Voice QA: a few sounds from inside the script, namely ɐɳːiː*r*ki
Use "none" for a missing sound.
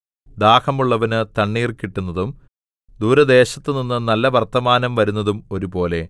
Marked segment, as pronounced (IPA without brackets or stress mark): r